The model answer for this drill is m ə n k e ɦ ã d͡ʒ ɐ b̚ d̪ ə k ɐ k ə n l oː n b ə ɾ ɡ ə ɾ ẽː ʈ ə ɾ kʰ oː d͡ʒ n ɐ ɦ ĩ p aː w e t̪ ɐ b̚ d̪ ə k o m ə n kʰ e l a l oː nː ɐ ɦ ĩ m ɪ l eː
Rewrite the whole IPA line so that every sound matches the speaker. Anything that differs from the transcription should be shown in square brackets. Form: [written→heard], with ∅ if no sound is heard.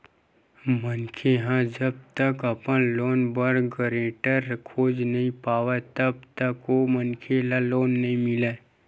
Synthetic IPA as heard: m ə n [k→kʰ] e ɦ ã d͡ʒ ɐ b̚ [d̪→t̪] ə k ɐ [k→p] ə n l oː n b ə ɾ ɡ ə ɾ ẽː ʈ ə ɾ kʰ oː d͡ʒ n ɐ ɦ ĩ p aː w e t̪ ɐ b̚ [d̪→t̪] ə k o m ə n kʰ e l a l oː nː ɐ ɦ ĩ m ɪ l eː